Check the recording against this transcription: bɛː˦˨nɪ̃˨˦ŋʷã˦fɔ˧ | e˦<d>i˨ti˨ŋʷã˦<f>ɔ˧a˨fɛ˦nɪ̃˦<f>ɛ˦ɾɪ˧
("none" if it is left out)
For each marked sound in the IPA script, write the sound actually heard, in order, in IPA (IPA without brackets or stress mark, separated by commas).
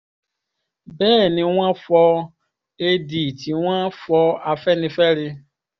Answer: d, f, f